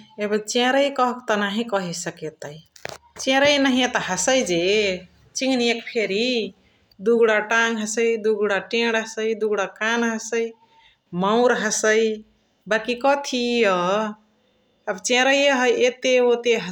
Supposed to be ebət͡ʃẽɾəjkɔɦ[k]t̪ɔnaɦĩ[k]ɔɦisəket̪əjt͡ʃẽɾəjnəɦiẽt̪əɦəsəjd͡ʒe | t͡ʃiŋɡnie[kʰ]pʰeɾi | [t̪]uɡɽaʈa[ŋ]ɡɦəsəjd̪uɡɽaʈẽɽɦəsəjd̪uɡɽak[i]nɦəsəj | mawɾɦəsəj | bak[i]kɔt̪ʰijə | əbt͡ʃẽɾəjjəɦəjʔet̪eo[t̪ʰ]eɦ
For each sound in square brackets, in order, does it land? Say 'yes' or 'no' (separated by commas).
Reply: yes, yes, no, no, yes, no, yes, no